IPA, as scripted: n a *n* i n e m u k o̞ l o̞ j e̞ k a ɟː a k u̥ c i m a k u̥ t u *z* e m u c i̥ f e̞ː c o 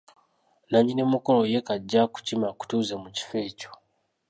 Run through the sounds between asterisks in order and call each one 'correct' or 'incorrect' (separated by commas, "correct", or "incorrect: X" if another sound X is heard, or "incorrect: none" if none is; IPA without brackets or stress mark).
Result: incorrect: ɲ, correct